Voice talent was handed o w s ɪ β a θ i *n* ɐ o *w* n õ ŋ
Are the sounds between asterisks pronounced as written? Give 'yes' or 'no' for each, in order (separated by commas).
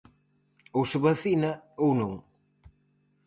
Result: yes, yes